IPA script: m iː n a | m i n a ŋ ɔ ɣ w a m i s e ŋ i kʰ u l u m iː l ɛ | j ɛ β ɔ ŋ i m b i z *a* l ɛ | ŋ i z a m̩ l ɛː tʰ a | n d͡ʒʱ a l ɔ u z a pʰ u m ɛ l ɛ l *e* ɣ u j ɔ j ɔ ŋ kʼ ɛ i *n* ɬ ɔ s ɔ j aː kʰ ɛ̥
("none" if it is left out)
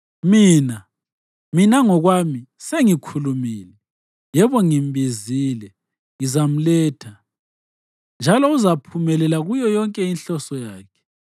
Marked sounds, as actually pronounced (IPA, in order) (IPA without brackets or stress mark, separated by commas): i, a, n